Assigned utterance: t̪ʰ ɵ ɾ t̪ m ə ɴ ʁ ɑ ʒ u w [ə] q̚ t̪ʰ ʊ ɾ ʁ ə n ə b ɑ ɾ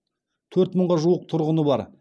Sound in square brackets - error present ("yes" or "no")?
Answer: no